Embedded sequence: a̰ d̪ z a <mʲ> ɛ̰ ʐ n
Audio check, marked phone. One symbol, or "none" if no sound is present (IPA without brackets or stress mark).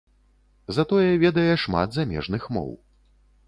mʲ